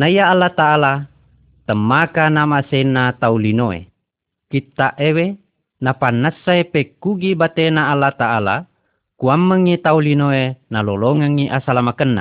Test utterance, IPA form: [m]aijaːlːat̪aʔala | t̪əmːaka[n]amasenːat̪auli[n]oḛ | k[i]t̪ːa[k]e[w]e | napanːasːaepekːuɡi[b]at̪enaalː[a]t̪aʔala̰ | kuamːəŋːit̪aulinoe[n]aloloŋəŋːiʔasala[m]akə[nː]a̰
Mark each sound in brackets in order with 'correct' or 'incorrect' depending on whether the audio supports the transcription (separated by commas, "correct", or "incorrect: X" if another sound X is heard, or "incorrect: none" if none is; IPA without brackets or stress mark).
incorrect: n, correct, correct, correct, incorrect: ʔ, correct, correct, correct, correct, correct, correct